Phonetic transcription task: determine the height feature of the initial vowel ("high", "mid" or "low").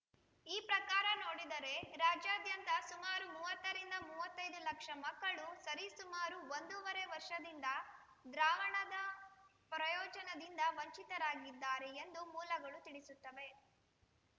high